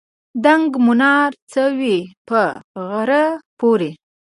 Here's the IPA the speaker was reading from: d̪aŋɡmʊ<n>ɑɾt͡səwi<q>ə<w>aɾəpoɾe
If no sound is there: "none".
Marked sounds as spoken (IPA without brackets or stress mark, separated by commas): n, p, ɣ